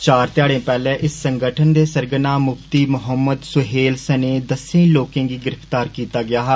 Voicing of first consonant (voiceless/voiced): voiceless